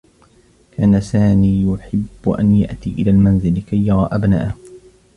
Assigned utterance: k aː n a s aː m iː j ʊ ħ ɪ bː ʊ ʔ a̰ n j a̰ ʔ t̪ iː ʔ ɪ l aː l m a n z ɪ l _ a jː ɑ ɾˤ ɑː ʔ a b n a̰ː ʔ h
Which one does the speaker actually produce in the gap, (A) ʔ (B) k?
B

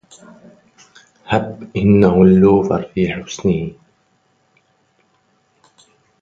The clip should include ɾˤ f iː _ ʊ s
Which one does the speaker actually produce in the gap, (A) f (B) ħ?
B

